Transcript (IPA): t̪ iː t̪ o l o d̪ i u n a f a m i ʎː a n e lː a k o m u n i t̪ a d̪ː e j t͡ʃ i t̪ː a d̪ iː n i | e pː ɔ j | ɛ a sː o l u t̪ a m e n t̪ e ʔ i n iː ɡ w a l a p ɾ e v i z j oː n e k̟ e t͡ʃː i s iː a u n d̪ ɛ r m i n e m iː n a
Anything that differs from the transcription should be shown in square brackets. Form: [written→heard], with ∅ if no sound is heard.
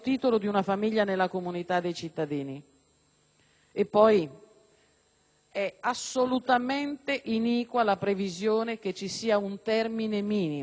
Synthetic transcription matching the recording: t̪ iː t̪ o l o d̪ i u n a f a m i ʎː a n e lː a k o m u n i t̪ a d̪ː e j t͡ʃ i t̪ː a d̪ iː n i | e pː ɔ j | ɛ a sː o l u t̪ a m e n t̪ e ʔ i n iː [ɡ→k] w a l a p ɾ e v i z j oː n e k̟ e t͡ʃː i s iː a u n [d̪→t̪] ɛ r m i n e m iː n [a→i]